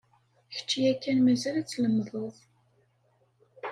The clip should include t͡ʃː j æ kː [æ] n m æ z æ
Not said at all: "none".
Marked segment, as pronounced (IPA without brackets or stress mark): æ